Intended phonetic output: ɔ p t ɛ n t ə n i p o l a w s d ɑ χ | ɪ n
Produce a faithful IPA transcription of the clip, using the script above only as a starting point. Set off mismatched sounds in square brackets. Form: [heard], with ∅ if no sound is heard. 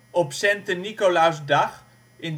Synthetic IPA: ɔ p [s] ɛ n t ə n i [k] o l a w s d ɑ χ | ɪ n